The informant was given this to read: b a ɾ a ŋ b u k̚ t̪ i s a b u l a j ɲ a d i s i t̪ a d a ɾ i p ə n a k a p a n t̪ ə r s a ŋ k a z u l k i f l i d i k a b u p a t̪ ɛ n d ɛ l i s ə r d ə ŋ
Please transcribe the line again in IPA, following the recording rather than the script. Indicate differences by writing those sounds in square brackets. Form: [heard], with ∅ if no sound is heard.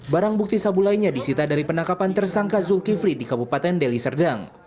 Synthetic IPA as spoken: b a ɾ a ŋ b u k̚ t̪ i s a b u l a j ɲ a d i s i t̪ a d a ɾ i p ə n a k a p a n t̪ ə r s a ŋ k a z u l k i f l i d i k a b u p a t̪ ɛ n d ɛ l i s ə r d [a] ŋ